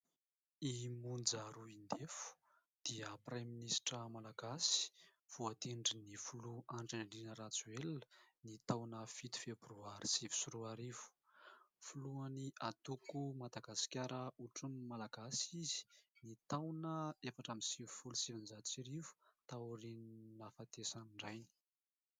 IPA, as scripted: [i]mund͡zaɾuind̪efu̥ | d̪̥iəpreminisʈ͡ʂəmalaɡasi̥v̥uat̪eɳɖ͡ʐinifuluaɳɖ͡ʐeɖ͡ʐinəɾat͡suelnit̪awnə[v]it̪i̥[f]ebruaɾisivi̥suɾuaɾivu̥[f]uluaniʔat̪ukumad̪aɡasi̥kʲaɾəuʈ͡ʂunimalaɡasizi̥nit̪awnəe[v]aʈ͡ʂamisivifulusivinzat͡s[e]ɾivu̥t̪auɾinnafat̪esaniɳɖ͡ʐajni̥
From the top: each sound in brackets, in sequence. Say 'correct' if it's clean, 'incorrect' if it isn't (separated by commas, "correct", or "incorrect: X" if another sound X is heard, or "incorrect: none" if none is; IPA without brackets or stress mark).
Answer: correct, incorrect: f, correct, correct, incorrect: f, incorrect: i